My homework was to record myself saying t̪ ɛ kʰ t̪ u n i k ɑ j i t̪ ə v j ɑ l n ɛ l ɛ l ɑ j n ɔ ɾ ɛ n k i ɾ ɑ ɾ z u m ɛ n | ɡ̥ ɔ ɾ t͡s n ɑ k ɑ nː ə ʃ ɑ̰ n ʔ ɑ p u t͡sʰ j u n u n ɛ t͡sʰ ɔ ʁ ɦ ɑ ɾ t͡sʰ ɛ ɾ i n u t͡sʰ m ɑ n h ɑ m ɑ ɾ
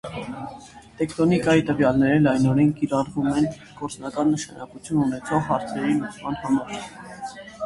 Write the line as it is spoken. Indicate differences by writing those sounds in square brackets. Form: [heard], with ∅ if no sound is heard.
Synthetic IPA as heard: t̪ ɛ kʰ t̪ [ɔ] n i k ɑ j i t̪ ə v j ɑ l n ɛ [ɾ] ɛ l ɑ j n ɔ ɾ ɛ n k i ɾ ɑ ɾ [v] u m ɛ n | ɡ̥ ɔ ɾ t͡s n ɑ k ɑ nː ə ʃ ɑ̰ n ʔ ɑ [k] u t͡sʰ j u n u n ɛ t͡sʰ ɔ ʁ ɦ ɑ ɾ t͡sʰ ɛ ɾ i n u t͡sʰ m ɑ n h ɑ m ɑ ɾ